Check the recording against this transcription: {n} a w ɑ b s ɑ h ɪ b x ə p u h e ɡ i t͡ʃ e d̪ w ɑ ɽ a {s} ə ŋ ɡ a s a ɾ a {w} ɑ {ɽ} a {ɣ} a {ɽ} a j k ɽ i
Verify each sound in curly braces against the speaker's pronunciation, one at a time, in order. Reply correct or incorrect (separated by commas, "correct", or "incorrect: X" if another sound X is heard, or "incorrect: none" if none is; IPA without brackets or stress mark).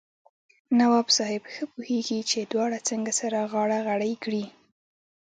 correct, incorrect: t͡s, incorrect: ɣ, correct, correct, correct